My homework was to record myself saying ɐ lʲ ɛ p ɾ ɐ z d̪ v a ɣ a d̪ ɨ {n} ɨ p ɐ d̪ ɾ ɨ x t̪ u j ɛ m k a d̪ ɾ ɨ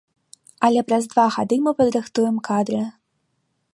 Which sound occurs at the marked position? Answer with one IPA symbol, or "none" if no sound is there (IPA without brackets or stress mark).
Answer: m